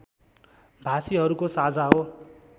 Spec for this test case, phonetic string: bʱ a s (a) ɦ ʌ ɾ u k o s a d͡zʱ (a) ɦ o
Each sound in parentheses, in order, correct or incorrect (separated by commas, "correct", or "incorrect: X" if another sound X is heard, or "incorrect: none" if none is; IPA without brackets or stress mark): incorrect: i, correct